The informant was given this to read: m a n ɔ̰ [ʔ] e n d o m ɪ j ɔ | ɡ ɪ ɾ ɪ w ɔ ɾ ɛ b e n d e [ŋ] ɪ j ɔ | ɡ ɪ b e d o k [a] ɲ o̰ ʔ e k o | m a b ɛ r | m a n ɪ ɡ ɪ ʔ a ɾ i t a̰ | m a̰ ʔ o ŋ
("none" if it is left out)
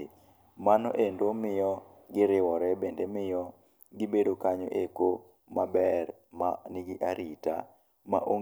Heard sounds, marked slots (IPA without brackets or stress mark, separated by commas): ʔ, m, a